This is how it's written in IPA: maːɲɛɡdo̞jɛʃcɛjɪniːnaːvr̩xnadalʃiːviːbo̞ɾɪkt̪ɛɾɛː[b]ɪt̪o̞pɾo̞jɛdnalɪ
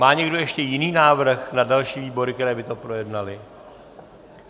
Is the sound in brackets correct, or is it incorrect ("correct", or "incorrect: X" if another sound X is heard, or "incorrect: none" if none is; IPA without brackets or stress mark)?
correct